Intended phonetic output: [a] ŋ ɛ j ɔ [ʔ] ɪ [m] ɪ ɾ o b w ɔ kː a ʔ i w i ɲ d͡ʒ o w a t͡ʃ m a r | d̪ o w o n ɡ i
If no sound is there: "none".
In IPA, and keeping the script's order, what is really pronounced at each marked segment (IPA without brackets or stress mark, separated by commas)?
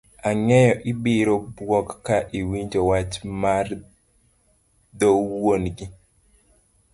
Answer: a, ʔ, b